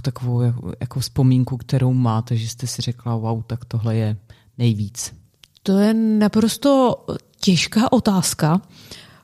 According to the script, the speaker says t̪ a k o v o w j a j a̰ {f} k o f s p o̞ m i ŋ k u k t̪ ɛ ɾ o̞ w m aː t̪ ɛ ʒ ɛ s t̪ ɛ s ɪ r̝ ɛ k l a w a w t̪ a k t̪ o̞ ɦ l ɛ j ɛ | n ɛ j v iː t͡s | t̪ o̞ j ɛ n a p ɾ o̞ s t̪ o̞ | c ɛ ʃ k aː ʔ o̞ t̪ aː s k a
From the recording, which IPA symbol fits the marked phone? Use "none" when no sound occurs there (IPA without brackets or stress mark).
none